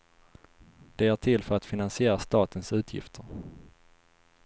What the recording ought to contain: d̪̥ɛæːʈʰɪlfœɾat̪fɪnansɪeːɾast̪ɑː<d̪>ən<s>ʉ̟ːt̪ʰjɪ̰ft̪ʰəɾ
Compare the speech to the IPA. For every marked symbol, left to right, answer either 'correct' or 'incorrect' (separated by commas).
incorrect, correct